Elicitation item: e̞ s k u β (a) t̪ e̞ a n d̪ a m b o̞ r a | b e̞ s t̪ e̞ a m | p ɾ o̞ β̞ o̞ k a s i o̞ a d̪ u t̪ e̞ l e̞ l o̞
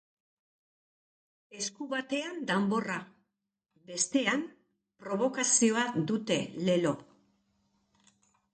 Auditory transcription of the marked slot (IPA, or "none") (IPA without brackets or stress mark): a